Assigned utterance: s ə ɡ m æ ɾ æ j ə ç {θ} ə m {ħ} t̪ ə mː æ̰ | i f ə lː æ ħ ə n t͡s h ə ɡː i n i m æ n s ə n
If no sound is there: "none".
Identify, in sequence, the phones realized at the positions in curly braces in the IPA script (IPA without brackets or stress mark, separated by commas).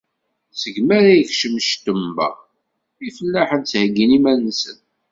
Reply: ʃ, ʃ